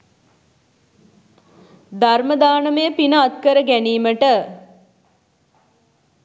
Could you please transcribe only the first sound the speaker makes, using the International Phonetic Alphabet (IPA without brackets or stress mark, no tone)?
d̪